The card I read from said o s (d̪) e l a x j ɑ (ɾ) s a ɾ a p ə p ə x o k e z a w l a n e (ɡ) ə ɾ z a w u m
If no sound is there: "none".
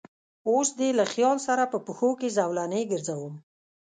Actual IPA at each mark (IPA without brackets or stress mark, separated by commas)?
d̪, l, ɡ